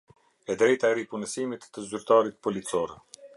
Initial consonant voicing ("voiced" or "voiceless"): voiced